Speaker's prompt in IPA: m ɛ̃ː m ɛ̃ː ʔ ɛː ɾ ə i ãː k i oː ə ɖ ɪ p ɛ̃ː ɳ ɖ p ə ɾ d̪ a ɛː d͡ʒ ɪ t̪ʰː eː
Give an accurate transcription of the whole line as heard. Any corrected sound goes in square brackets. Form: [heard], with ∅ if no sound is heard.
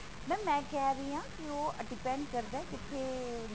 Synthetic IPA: m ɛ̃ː m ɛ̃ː [k] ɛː ɾ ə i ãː k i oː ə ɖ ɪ p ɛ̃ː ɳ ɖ [k] ə ɾ d̪ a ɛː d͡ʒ ɪ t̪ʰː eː